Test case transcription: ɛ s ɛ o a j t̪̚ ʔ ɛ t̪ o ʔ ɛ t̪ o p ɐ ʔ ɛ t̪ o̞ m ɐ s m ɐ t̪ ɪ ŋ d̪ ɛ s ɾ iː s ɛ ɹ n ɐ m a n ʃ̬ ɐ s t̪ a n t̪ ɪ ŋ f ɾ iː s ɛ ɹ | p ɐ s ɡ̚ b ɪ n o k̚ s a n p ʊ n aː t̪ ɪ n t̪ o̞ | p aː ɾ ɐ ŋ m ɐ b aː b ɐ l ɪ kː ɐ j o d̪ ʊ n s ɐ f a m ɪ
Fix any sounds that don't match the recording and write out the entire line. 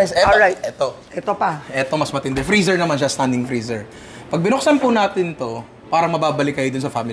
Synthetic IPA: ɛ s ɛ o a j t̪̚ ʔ ɛ t̪ o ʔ ɛ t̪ o p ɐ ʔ ɛ t̪ o̞ m ɐ s m ɐ t̪ ɪ n d̪ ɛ f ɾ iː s ɛ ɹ n ɐ m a n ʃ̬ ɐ s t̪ a n d̪ ɪ ŋ f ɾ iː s ɛ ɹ | p ɐ ɡ̚ b ɪ n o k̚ s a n p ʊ n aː t̪ ɪ n t̪ o̞ | p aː ɾ ɐ ŋ m ɐ b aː b ɐ l ɪ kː ɐ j o d̪ ʊ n s ɐ f a m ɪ